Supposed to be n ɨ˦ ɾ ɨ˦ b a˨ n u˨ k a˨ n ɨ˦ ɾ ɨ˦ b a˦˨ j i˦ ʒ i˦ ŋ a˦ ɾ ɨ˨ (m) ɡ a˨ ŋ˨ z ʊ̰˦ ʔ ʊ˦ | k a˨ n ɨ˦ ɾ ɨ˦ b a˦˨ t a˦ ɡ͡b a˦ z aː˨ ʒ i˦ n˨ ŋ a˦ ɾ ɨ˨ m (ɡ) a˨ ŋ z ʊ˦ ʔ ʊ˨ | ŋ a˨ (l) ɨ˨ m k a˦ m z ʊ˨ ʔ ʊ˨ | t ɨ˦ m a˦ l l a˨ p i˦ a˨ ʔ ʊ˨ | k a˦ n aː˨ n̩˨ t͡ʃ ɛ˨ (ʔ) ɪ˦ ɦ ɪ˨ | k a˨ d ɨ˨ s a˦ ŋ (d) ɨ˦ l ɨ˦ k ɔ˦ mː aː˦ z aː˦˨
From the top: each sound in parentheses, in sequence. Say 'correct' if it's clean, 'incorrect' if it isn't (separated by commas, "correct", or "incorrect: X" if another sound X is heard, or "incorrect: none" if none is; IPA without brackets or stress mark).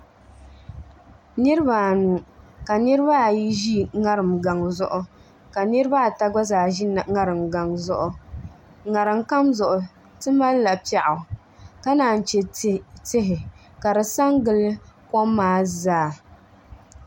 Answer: correct, correct, incorrect: ɾ, incorrect: t, incorrect: ɡ